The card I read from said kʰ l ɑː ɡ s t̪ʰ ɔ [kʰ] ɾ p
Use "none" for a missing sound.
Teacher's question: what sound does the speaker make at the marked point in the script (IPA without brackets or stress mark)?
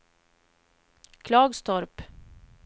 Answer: none